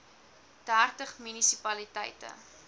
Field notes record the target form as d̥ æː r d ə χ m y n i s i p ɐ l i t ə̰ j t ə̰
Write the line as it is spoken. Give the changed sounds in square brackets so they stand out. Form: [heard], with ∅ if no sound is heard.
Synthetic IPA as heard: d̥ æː r [t] ə χ m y n i s i p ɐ l i t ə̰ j t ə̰